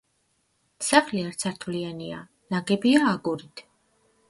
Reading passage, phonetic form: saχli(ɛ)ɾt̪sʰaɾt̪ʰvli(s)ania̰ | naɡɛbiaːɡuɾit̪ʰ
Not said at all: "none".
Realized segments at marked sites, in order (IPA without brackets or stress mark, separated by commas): a, none